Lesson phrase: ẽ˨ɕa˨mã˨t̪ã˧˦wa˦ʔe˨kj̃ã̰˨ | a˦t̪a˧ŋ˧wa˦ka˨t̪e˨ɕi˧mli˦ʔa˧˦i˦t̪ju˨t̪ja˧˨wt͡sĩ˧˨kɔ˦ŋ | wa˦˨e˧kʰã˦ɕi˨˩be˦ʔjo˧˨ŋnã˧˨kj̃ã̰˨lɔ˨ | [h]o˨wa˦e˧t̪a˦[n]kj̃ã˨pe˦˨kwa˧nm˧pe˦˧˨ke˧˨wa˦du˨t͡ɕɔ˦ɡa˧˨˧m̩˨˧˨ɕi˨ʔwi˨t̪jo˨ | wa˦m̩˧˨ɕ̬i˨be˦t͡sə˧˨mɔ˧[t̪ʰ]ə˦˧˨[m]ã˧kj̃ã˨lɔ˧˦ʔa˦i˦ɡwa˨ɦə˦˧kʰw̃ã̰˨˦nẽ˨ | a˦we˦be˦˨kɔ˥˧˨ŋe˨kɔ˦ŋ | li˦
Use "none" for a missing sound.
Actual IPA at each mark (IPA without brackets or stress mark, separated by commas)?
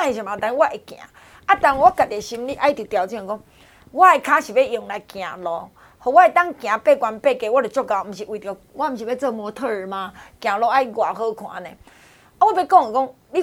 h, ŋ, t̪ʰ, m